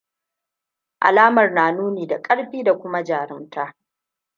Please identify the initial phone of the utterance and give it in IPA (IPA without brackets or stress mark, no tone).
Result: ʔ